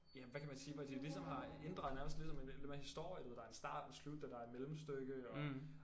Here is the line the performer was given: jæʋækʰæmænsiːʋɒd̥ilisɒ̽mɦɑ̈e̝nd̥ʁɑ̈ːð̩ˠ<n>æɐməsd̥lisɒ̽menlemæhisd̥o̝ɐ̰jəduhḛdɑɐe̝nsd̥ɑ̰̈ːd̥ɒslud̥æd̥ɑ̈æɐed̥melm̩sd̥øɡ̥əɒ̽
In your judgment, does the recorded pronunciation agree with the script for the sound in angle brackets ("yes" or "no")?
yes